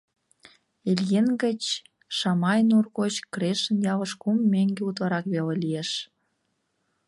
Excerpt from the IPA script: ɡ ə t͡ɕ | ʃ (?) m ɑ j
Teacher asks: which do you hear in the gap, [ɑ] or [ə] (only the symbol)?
ɑ